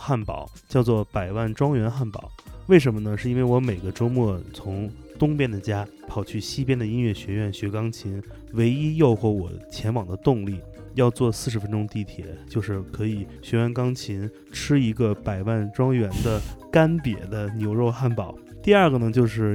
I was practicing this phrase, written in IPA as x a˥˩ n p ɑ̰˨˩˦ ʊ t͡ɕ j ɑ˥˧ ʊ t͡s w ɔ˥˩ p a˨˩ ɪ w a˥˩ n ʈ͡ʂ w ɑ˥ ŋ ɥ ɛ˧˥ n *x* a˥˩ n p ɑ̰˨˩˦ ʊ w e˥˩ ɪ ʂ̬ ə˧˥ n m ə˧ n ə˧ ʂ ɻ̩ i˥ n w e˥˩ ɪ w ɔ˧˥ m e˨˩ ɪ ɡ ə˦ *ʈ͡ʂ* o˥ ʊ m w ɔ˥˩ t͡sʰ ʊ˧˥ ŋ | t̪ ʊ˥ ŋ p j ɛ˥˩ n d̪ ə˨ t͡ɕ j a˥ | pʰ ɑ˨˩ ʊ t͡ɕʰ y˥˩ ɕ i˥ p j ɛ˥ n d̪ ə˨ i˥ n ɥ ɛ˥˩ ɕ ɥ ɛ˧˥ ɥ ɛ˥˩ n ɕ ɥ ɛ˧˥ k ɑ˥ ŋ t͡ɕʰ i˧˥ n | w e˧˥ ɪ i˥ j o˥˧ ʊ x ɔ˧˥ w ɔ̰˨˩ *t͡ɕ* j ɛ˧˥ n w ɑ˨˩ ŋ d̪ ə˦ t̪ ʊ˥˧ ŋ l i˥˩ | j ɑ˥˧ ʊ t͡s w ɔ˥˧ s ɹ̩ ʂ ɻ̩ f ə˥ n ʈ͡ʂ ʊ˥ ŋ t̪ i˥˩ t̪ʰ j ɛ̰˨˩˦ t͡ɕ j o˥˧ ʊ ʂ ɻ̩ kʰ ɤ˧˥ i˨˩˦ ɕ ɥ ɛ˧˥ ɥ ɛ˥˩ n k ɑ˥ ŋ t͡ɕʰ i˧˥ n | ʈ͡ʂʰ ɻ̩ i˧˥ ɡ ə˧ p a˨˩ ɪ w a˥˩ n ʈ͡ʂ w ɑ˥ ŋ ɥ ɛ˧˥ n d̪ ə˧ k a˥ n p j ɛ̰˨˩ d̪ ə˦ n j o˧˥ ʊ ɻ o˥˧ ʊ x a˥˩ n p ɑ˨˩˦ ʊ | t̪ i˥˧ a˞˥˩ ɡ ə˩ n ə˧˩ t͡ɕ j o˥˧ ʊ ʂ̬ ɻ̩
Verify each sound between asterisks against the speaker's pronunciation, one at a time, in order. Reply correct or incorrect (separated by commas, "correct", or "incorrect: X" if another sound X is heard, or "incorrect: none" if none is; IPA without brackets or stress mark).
correct, correct, incorrect: t͡ɕʰ